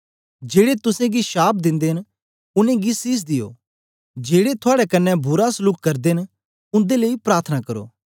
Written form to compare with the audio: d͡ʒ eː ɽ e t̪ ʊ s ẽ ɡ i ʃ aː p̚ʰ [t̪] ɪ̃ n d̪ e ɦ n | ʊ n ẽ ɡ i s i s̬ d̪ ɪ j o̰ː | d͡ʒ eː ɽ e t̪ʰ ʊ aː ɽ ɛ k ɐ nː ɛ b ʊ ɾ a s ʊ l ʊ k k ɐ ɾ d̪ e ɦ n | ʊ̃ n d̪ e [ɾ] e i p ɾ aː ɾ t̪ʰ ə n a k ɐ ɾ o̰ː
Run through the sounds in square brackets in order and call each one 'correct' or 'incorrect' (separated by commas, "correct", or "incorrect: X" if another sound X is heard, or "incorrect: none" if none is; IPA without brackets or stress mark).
incorrect: d̪, incorrect: l